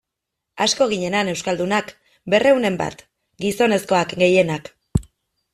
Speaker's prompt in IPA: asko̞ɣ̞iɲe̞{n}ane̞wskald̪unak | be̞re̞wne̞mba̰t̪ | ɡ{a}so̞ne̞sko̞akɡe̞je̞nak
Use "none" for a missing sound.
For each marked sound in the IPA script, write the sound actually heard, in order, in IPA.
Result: n, i

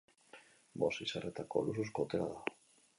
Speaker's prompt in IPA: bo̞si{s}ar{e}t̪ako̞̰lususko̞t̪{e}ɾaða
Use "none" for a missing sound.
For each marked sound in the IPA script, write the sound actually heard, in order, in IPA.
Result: s, e, e

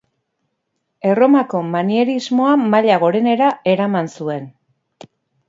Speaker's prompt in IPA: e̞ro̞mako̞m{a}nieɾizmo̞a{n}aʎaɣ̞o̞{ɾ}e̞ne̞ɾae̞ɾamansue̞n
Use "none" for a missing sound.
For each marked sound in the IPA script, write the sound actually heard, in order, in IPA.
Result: a, m, ɾ

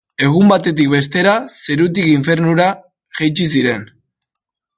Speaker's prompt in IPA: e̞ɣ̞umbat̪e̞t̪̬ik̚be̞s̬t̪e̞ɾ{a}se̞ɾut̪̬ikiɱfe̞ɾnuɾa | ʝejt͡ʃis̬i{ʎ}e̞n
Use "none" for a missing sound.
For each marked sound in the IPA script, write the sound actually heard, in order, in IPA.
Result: a, ɾ

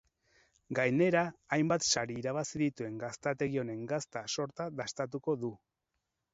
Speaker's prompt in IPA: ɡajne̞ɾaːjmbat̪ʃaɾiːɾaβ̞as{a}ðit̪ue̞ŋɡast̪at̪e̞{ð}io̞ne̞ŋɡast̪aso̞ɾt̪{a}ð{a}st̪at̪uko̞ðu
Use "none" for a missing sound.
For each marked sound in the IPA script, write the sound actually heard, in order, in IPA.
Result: i, ɣ, a, a

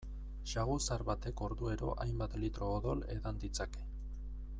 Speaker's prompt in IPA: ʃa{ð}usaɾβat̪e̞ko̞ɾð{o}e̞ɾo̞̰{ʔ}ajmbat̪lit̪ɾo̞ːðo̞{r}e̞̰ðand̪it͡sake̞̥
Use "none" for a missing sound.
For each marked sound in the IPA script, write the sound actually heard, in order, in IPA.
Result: ɣ, u, ʔ, l

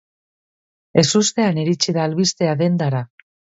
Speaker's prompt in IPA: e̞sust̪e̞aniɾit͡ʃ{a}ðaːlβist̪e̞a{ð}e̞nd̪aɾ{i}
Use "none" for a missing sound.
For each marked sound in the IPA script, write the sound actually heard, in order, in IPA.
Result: i, ð, a

